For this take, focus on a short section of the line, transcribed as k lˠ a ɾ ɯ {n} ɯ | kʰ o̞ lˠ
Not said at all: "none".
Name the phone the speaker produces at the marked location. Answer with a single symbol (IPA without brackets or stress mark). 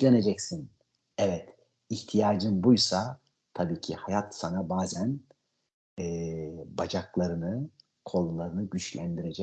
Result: n